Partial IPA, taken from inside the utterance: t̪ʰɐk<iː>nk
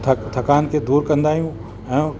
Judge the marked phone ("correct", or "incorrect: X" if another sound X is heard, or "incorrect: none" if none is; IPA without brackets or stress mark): incorrect: aː